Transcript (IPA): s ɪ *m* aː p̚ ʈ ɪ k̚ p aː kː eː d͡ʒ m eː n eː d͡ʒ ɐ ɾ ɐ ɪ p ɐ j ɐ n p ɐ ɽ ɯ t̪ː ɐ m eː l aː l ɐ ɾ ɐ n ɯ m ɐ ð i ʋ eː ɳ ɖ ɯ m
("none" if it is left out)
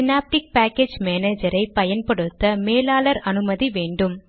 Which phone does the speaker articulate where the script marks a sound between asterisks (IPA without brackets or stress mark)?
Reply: n